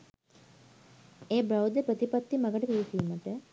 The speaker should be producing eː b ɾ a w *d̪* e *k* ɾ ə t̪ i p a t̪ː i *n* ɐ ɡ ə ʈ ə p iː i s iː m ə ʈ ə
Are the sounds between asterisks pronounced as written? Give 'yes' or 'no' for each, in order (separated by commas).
yes, no, no